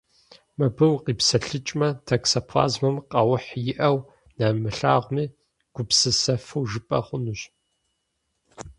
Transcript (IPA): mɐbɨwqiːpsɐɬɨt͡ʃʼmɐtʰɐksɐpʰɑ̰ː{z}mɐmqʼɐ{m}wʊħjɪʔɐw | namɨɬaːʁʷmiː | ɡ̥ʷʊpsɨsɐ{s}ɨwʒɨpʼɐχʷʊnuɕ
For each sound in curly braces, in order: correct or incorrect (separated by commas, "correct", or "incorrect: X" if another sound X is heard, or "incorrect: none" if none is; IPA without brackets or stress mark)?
correct, incorrect: none, incorrect: f